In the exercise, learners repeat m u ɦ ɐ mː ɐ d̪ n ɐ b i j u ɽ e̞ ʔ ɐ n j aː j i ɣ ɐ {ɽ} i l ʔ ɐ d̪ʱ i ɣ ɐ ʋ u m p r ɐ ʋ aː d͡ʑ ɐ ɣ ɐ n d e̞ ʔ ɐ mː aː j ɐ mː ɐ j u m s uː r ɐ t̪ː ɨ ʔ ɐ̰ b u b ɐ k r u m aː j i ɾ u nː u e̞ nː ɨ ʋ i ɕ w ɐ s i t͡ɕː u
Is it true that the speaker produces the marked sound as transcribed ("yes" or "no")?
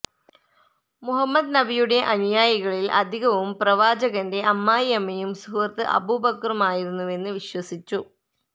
no